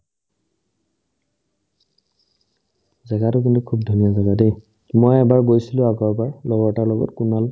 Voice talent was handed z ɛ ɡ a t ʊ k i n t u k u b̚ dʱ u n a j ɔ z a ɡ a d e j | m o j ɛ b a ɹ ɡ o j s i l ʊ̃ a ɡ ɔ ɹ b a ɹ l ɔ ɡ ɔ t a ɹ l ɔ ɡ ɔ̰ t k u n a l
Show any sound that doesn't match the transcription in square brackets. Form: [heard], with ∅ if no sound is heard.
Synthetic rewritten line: z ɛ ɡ a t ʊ k i n t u [kʰ] u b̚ dʱ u n [i] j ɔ z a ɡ a d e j | m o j ɛ b a ɹ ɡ o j s i l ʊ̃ a ɡ ɔ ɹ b a ɹ l ɔ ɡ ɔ t a ɹ l ɔ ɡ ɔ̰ t k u n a l